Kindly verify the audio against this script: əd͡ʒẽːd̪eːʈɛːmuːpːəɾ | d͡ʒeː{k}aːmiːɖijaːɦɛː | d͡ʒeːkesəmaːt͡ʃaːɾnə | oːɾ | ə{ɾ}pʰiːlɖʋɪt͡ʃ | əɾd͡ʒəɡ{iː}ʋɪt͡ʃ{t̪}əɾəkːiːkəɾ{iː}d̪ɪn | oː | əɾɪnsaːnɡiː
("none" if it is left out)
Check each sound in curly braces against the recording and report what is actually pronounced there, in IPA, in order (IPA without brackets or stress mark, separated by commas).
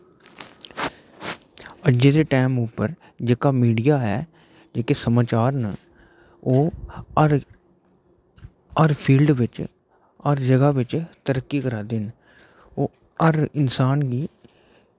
k, ɾ, aː, t̪, aː